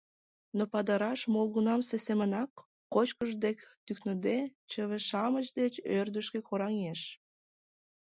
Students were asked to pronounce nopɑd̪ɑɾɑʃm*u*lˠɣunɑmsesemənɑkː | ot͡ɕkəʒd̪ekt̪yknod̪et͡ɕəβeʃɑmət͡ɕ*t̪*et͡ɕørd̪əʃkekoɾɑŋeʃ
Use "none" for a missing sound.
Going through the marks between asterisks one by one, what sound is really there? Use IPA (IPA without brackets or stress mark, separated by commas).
o, d̪